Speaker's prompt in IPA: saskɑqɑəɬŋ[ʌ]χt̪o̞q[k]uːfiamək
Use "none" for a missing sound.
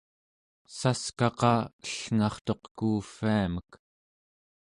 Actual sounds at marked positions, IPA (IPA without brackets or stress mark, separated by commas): ɑ, k